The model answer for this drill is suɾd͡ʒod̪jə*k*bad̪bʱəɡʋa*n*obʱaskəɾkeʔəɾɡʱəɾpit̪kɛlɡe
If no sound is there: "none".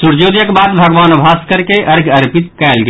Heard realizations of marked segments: k, n

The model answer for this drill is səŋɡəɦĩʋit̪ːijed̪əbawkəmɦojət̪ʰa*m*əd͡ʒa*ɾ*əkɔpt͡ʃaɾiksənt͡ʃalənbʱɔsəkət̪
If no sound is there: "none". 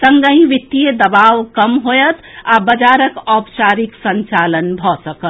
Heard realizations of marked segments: b, ɾ

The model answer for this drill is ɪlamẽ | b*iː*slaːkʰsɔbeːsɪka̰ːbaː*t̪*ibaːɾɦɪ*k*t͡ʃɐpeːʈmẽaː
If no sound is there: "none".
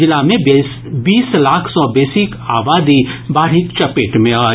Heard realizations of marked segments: iː, d̪, k

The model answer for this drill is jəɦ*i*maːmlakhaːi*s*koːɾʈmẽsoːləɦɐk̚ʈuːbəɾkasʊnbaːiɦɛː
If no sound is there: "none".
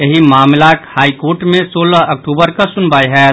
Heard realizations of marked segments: i, none

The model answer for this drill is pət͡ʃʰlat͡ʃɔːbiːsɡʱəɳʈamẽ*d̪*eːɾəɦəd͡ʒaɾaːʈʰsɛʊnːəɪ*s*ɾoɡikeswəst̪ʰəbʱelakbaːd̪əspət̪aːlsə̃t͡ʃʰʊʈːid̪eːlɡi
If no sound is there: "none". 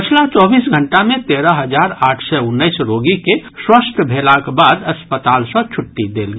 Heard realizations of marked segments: t̪, s

